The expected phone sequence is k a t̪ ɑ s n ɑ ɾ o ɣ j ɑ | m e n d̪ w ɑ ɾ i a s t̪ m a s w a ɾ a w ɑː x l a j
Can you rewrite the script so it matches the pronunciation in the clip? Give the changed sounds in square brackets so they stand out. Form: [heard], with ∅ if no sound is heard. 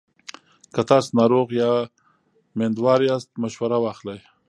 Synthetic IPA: k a t̪ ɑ s n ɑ ɾ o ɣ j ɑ | m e n d̪ w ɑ ɾ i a s t̪ m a [ʃ] w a ɾ a w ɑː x l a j

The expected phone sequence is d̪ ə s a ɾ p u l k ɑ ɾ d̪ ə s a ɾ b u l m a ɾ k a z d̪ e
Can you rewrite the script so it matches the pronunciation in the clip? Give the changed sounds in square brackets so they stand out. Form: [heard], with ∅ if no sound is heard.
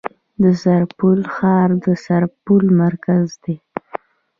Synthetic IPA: d̪ ə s a ɾ p u l [x] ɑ ɾ d̪ ə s a ɾ [p] u l m a ɾ k a z d̪ e

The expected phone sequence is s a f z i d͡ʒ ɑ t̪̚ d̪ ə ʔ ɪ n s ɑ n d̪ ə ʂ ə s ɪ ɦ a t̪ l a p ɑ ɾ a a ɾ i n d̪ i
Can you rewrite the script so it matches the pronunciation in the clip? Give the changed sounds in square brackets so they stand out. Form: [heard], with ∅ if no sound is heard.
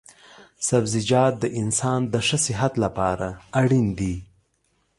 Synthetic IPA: s a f z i d͡ʒ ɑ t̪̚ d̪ ə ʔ ɪ n s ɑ n d̪ ə ʂ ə s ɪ ɦ a t̪ l a p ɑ ɾ a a [ɽ] i n d̪ i

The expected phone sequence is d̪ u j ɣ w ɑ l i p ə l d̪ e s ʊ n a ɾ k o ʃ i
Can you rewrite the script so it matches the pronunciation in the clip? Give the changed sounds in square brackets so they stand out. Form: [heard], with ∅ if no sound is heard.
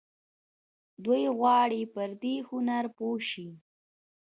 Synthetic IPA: d̪ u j ɣ w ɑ [ɽ] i p ə [ɾ] d̪ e [h] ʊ n a ɾ [p] o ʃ i

